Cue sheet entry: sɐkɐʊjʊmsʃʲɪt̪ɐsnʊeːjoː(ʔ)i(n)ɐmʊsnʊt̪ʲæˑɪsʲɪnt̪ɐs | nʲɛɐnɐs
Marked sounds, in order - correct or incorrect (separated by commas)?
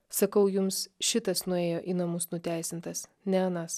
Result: correct, correct